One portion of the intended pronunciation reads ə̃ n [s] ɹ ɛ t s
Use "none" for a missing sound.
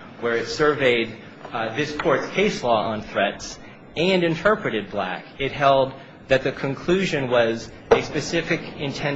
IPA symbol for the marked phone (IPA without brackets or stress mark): θ